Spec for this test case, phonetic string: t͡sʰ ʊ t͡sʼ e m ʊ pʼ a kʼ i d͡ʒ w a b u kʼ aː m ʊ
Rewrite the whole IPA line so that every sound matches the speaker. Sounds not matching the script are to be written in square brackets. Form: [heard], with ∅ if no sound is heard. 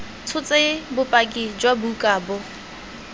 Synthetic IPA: t͡sʰ ʊ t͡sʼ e [b] ʊ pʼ a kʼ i d͡ʒ w a b u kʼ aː [b] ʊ